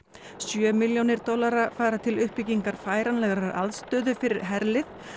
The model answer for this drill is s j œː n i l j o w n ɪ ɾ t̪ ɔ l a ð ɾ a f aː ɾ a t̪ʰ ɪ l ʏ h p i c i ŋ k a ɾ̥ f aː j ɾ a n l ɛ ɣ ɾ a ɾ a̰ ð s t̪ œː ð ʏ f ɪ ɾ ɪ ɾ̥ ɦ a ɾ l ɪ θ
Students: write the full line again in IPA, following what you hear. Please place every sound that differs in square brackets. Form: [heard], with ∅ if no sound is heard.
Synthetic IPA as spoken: s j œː [m] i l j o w n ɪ ɾ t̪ ɔ l a [∅] ɾ a f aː ɾ a t̪ʰ ɪ l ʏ h p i c i ŋ k a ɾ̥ f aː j ɾ a n l ɛ ɣ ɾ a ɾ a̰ ð s t̪ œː ð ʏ f ɪ ɾ ɪ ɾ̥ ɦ [ɛ] ɾ l ɪ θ